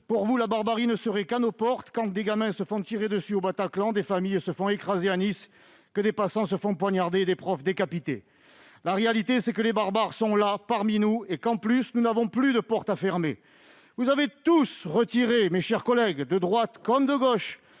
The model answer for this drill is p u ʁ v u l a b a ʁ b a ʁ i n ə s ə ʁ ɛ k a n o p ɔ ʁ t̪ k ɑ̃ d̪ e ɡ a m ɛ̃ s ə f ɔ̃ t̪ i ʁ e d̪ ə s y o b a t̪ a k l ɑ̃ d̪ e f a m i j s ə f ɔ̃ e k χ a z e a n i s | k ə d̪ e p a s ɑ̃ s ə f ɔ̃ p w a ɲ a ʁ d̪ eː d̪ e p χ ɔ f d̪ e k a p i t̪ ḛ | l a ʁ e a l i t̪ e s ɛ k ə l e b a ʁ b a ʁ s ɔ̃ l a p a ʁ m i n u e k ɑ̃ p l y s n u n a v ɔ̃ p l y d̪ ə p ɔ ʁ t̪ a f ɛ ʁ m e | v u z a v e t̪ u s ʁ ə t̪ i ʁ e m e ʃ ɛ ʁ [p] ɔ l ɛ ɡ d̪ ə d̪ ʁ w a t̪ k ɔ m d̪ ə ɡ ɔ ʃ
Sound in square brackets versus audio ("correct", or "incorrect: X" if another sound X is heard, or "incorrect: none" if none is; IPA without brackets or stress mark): incorrect: k